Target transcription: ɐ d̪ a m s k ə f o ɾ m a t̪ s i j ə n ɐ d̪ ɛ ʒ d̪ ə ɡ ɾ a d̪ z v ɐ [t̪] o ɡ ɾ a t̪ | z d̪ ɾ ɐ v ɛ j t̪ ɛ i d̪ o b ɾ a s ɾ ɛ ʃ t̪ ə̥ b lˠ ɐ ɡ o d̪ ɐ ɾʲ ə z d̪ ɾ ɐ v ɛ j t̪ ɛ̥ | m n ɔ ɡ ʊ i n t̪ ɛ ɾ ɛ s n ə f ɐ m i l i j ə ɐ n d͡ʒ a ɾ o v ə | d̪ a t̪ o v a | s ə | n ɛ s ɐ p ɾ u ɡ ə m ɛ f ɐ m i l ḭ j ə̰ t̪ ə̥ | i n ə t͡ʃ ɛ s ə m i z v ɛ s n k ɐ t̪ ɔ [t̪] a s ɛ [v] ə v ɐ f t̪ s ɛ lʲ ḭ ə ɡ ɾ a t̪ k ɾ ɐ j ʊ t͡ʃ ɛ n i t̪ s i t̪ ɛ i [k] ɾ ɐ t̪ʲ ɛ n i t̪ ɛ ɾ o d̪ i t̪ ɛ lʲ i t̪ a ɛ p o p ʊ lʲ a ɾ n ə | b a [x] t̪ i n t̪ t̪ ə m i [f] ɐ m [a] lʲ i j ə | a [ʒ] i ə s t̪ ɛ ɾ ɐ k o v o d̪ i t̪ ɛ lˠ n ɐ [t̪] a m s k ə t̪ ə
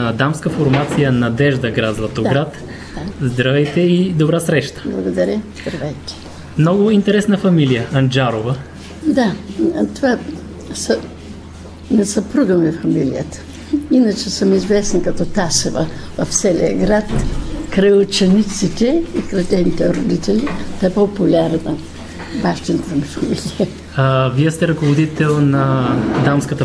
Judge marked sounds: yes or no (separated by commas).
yes, yes, yes, yes, no, yes, no, no, no